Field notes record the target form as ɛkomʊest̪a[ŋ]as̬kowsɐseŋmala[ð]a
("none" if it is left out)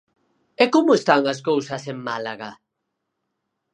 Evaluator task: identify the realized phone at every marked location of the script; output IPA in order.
ŋ, ɣ

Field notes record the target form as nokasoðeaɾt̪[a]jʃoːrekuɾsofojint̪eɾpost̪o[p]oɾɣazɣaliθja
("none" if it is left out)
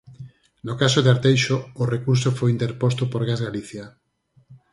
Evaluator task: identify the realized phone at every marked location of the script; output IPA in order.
e, p

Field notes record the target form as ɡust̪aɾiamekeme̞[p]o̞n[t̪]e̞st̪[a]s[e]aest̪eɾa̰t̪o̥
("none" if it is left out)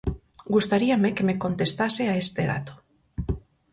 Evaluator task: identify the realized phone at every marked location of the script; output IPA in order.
k, t̪, a, e

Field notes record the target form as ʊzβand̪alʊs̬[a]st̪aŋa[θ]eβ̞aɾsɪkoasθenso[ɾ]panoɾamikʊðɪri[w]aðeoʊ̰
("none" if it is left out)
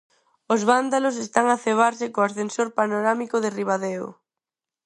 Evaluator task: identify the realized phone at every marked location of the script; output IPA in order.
e, θ, ɾ, β

